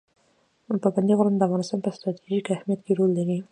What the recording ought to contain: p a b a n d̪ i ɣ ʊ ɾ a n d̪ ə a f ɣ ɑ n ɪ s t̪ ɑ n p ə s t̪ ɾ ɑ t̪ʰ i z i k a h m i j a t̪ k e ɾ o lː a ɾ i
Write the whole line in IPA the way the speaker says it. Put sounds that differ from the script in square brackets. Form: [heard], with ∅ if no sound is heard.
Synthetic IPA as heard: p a b a n d̪ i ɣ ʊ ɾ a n d̪ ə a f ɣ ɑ n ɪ s t̪ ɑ n p ə s t̪ ɾ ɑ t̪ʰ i [ʒ] i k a h m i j a t̪ k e ɾ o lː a ɾ i